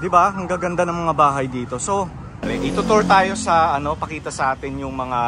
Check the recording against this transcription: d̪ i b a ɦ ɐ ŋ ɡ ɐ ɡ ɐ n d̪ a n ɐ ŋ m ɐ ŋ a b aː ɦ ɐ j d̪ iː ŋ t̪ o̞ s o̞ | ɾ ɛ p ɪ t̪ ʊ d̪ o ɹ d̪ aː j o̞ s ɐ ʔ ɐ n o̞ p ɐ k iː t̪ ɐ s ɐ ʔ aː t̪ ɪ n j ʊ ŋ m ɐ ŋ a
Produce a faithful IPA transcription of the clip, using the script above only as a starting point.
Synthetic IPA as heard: d̪ ɪ b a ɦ ɐ ŋ ɡ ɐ ɡ ɐ n d̪ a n ɐ ŋ m ɐ ŋ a b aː ɦ ɐ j d̪ iː t̪ o̞ s o̞ | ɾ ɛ ʔ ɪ t̪ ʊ t̪ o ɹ t̪ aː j o̞ s ɐ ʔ ɐ n o̞ p ɐ k iː t̪ ɐ s ɐ ʔ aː t̪ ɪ n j ʊ ŋ m ɐ ŋ a

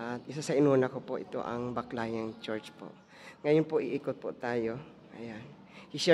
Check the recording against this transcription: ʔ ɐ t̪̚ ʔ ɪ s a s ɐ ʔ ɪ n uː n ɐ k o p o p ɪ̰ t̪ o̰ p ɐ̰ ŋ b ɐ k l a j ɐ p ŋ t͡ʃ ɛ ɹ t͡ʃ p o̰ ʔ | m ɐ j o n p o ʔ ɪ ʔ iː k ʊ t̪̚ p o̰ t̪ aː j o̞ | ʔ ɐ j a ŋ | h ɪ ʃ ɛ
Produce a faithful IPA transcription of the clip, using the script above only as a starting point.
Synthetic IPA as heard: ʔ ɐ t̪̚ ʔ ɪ s a s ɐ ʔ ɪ n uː n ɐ k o p o ʔ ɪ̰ t̪ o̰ ʔ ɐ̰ ŋ b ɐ k l a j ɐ ŋ t͡ʃ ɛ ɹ t͡ʃ p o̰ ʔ | ŋ ɐ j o n p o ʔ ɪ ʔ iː k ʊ t̪̚ p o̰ t̪ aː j o̞ | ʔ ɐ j a n | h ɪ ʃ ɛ

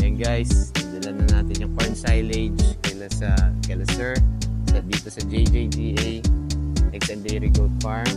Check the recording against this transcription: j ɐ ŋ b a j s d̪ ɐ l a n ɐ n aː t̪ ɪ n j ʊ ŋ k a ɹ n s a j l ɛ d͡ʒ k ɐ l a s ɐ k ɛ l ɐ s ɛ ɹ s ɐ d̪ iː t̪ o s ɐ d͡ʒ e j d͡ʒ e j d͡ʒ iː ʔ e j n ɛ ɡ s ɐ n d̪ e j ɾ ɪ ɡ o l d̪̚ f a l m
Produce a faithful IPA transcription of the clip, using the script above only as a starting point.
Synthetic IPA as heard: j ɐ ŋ ɡ a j s d̪ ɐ l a n ɐ n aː t̪ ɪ n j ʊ ŋ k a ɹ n s a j l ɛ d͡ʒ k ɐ l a s ɐ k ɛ l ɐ s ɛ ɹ s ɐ d̪ iː t̪ o s ɐ d͡ʒ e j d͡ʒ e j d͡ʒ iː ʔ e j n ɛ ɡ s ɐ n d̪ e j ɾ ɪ ɡ o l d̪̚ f a ɹ m

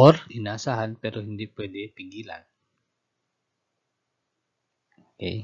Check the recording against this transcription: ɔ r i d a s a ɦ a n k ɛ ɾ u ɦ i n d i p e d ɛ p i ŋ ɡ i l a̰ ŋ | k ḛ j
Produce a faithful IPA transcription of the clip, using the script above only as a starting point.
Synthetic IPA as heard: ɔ r i n a s a ɦ a n p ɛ ɾ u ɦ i n d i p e d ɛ p i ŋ ɡ i l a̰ n | k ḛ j

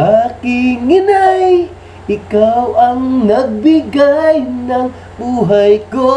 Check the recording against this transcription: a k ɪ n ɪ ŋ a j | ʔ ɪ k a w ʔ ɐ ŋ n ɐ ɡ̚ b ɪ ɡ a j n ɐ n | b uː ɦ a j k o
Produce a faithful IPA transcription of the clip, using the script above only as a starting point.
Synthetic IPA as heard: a k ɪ ŋ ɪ n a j | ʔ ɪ k a w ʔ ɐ ŋ n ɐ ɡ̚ b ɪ ɡ a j n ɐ ŋ | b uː ɦ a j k o

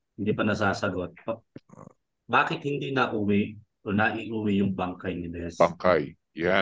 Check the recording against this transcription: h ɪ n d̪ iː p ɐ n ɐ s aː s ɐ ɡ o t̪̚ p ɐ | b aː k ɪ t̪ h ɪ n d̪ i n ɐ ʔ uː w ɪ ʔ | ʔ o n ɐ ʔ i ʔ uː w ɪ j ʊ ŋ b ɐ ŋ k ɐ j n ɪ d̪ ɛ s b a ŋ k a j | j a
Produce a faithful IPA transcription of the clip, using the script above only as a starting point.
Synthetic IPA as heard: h ɪ n d̪ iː p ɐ n ɐ s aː s ɐ ɡ o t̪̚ p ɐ | b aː k ɪ t̪ h ɪ n d̪ i n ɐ ʔ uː w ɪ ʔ | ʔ o n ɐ ʔ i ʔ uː w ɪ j ʊ ŋ b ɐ ŋ k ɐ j n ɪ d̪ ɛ s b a ŋ k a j | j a

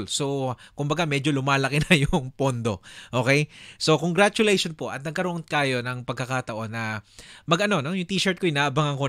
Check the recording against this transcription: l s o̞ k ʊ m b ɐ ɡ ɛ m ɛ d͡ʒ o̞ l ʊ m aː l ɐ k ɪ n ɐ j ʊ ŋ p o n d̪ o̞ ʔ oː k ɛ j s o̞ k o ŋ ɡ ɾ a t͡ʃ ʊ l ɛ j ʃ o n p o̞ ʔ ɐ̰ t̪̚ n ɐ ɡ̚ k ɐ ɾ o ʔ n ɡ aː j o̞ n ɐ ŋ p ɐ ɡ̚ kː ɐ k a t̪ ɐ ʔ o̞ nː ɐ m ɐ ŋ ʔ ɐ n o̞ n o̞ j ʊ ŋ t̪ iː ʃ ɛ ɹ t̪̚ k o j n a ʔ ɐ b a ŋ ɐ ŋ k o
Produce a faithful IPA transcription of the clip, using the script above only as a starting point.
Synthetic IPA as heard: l s o̞ k ʊ m b ɐ ɡ a m ɛ d͡ʒ o̞ l ʊ m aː l ɐ k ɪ n ɐ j ʊ ŋ p o n d̪ o̞ ʔ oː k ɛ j s o̞ k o ŋ ɡ ɾ a t͡ʃ ʊ l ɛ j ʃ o n p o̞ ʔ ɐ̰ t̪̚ n ɐ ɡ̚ k ɐ ɾ o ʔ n k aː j o̞ n ɐ ŋ p ɐ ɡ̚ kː ɐ k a t̪ ɐ ʔ o̞ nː ɐ m ɐ ɡ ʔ ɐ n o̞ n o̞ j ʊ ŋ t̪ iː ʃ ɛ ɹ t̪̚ k o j n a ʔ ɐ b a ŋ ɐ ŋ k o

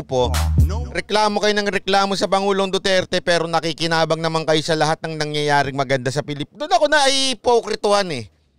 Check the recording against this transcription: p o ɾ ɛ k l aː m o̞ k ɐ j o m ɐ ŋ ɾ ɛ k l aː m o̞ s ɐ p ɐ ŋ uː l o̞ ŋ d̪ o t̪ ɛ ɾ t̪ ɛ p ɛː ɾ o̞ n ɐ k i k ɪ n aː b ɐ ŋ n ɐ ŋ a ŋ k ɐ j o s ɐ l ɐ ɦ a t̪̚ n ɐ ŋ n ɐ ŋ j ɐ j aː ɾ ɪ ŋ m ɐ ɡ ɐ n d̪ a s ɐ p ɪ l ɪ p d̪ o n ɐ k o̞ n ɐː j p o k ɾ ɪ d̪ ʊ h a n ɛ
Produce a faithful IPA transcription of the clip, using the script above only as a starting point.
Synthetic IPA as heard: p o ɾ ɛ k l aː m o̞ k ɐ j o n ɐ ŋ ɾ ɛ k l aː m o̞ s ɐ p ɐ ŋ uː l o̞ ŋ d̪ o t̪ ɛ ɾ t̪ ɛ p ɛː ɾ o̞ n ɐ k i k ɪ n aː b ɐ ŋ n ɐ m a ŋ k ɐ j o s ɐ l ɐ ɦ a t̪̚ n ɐ ŋ n ɐ ŋ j ɐ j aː ɾ ɪ ŋ m ɐ ɡ ɐ n d̪ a s ɐ p ɪ l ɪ p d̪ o n ɐ k o̞ n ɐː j p o k ɾ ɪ t̪ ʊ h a n ɛ

